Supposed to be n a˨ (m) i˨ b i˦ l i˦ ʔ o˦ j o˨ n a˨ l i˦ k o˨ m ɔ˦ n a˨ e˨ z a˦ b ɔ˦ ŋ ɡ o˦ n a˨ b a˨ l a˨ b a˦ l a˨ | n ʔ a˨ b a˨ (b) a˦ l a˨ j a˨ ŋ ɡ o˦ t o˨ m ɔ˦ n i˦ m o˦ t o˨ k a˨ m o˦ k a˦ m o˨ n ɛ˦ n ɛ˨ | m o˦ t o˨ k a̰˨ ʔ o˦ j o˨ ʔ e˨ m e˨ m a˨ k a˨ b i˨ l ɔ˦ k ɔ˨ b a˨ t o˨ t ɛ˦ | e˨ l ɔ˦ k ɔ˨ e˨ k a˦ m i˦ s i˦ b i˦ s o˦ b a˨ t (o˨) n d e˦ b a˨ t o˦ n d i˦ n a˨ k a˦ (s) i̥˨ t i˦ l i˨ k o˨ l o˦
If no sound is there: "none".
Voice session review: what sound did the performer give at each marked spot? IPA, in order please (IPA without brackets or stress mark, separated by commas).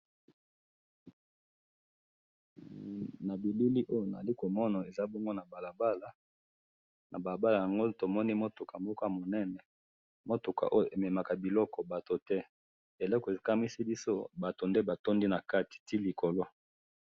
b, b, o˨, t